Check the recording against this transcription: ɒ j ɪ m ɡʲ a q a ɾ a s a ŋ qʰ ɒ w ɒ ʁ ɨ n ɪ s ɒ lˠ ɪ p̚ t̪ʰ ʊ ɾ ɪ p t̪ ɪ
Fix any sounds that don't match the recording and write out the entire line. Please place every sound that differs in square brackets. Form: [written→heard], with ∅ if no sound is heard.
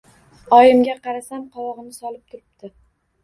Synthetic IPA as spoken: ɒ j ɪ m ɡʲ a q [a→ɑ] ɾ a s a [ŋ→m] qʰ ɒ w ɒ ʁ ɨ n ɪ s ɒ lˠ ɪ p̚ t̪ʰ ʊ ɾ ɪ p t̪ ɪ